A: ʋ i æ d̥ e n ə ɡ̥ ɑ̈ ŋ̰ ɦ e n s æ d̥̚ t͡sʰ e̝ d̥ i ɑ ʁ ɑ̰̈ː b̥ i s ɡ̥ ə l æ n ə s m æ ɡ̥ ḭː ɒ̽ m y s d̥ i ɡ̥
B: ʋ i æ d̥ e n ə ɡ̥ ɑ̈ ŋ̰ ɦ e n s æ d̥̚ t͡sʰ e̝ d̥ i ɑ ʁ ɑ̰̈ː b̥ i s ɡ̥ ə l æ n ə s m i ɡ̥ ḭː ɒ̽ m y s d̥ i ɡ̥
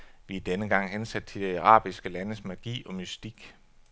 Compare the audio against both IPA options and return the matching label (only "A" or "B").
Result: A